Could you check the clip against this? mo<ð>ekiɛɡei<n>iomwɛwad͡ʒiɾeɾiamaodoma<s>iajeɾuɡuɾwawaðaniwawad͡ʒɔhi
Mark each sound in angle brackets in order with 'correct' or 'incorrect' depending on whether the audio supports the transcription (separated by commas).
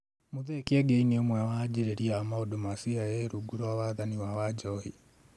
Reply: correct, correct, correct